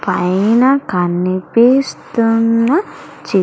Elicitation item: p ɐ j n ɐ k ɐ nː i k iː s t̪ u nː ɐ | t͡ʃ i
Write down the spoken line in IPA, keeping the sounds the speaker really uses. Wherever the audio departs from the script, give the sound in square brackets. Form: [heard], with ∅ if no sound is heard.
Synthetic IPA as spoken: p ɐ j n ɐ k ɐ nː i [p] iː s t̪ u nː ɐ | t͡ʃ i